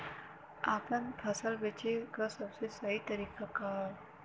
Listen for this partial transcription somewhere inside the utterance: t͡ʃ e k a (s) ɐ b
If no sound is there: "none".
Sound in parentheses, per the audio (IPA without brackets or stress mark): s